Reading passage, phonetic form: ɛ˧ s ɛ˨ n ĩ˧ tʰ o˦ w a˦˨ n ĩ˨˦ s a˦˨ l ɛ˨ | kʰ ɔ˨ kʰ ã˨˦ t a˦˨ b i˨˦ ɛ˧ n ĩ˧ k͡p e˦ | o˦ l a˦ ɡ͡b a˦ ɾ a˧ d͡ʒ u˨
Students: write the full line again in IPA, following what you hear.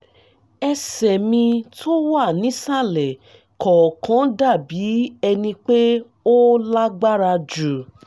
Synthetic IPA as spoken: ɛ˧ s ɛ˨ m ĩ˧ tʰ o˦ w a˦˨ n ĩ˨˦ s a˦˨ l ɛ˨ | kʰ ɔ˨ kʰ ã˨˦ d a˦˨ b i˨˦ ɛ˧ n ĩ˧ k͡p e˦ | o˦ l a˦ ɡ͡b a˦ ɾ a˧ d͡ʒ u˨